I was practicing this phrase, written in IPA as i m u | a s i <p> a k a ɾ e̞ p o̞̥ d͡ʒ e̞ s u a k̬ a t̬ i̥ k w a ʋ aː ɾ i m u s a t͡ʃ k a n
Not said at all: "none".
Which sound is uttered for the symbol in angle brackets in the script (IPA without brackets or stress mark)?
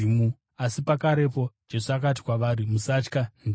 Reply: p